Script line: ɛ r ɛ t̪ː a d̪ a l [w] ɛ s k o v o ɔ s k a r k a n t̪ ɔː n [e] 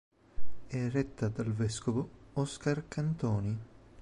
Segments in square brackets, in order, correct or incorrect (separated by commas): incorrect, incorrect